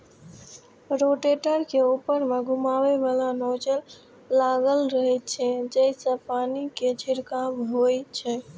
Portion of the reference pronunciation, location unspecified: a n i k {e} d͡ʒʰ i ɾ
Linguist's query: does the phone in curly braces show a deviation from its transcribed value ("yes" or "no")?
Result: no